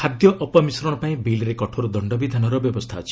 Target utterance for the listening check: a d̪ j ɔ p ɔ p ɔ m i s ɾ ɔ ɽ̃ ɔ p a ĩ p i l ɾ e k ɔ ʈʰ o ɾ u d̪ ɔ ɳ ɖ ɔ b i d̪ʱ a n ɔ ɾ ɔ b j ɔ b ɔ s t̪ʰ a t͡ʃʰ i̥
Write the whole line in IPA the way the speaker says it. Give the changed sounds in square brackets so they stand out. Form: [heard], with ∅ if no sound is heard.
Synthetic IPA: a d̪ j ɔ [ʔ] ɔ p ɔ m i s ɾ ɔ ɽ̃ ɔ p a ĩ [b] i l ɾ e k ɔ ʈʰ o ɾ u d̪ ɔ ɳ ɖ ɔ b i d̪ʱ a n ɔ ɾ ɔ b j ɔ b ɔ s t̪ʰ a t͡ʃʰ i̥